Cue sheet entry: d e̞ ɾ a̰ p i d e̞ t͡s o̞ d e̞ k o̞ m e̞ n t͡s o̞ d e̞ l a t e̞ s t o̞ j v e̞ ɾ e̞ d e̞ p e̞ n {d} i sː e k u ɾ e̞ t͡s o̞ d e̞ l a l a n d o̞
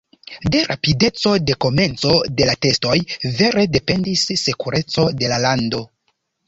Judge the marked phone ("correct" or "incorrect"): correct